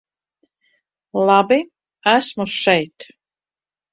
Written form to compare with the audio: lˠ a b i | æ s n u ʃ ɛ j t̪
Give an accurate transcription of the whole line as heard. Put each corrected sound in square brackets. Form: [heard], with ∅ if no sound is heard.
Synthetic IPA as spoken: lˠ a b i | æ s [m] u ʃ ɛ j t̪